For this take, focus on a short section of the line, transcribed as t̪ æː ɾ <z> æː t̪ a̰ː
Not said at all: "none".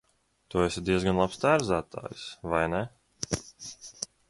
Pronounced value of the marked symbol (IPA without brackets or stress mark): z